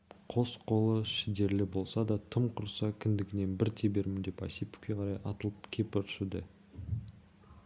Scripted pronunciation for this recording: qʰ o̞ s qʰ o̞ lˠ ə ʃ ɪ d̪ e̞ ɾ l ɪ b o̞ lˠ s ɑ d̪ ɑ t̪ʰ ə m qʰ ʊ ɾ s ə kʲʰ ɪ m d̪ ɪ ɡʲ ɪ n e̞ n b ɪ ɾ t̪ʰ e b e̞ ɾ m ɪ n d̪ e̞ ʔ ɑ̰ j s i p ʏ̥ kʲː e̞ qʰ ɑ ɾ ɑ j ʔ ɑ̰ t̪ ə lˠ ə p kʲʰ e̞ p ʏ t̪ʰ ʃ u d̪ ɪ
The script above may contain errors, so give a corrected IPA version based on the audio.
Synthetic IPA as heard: qʰ o̞ s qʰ o̞ lˠ ə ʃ ɪ d̪ e̞ ɾ l ɪ b o̞ lˠ s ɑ d̪ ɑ t̪ʰ ə m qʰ ʊ ɾ s ɑ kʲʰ ɪ n d̪ ɪ ɡʲ ɪ n e̞ n b ɪ ɾ t̪ʰ e b e̞ ɾ m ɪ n d̪ e̞ p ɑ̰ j s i p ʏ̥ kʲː e̞ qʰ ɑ ɾ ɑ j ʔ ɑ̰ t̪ ə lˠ ə p kʲʰ e̞ p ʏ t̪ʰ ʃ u d̪ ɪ